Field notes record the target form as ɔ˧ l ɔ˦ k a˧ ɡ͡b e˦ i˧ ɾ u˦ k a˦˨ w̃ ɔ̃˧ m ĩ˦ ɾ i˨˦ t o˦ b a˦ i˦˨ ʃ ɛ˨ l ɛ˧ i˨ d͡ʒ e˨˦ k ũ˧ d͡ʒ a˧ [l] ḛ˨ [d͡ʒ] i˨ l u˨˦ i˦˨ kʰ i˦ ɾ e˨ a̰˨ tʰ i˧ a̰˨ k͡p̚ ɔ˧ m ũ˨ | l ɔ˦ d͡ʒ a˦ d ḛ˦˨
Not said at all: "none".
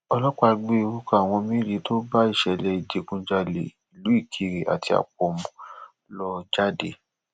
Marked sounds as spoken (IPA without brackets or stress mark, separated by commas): l, none